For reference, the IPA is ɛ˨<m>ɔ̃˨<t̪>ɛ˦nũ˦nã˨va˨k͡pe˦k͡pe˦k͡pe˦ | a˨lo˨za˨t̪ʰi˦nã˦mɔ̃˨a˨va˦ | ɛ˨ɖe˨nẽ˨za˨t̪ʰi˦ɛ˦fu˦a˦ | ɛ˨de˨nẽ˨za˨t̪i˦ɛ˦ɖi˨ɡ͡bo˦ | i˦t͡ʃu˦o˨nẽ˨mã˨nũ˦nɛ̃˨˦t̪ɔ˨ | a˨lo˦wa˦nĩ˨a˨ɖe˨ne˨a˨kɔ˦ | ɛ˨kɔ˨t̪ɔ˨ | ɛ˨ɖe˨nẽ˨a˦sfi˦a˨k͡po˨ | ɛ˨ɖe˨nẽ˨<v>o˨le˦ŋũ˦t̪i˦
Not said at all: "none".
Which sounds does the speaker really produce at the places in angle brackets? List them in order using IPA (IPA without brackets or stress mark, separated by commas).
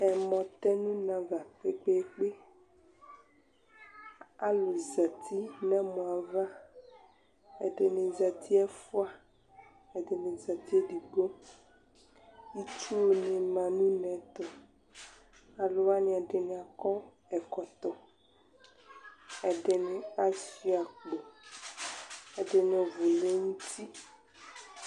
m, t̪, v